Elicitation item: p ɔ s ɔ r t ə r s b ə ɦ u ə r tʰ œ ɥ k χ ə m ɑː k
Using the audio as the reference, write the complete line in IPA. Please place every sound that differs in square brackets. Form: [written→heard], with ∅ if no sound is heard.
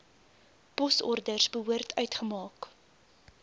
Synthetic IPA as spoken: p ɔ s ɔ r [t→d] ə r s b ə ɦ u ə r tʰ œ ɥ [k→t] χ ə m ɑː k